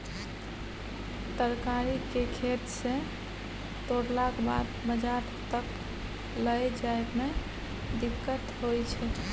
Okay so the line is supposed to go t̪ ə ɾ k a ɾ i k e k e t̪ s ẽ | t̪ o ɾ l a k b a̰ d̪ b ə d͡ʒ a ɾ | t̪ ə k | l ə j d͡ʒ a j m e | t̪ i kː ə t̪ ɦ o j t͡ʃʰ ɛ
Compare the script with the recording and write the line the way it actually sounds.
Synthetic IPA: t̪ ə ɾ k a ɾ i k e kʰ e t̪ s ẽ | t̪ o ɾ l a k b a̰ d̪ b ə d͡ʒ a ɾ | t̪ ə k | l ə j d͡ʒ a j m e | d̪ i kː ə t̪ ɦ o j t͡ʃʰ ɛ